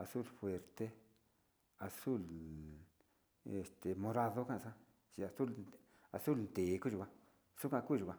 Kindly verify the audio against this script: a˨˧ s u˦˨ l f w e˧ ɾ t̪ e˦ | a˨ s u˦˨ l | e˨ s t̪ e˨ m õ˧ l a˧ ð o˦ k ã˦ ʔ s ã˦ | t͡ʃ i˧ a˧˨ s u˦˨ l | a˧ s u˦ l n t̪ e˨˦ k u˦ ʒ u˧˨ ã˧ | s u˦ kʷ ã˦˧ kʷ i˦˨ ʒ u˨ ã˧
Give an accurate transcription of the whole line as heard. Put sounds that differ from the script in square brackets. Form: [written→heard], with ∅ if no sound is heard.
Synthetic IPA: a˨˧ s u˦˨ l f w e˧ ɾ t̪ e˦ | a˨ s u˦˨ l | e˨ s t̪ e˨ m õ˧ [l→ɾ] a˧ ð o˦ k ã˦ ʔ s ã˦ | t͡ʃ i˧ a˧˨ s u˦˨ l | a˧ s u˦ l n t̪ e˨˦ k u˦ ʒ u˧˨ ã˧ | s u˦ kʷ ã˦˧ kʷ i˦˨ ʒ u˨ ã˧